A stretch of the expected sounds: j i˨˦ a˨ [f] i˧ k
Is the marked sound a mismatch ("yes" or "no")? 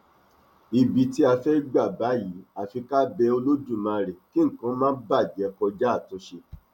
no